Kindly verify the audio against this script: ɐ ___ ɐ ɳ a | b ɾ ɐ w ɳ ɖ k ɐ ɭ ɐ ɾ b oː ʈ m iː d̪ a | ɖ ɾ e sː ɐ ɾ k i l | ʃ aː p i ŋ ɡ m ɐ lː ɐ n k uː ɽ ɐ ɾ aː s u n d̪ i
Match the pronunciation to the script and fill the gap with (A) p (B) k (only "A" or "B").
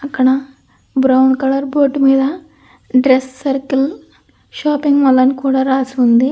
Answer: B